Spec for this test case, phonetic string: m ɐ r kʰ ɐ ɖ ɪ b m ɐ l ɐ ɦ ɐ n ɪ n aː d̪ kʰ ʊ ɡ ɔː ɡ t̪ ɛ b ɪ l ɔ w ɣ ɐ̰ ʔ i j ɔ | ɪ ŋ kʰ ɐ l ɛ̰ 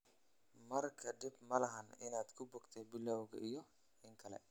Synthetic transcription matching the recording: m ɐ r kʰ ɐ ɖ ɪ b m ɐ l ɐ ɦ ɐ n ɪ n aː d̪ kʰ ʊ b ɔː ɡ t̪ʰ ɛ b ɪ l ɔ w ɣ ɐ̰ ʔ i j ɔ | ɪ ŋ kʰ ɐ l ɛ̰